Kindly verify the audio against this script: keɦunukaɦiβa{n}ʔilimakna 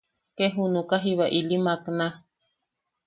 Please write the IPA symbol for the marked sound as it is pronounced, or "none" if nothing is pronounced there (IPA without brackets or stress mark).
none